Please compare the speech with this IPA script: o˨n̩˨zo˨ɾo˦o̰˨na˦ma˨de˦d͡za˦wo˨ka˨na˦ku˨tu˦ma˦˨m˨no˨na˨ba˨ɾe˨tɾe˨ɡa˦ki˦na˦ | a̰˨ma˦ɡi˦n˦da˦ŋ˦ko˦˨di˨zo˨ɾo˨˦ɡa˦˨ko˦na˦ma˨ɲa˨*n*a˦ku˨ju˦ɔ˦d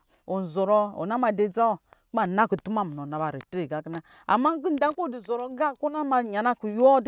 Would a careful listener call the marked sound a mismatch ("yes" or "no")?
no